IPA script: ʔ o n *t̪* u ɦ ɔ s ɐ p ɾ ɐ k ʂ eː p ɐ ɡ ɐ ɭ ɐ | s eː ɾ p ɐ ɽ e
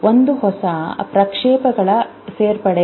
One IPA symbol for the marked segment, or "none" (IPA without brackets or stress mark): d̪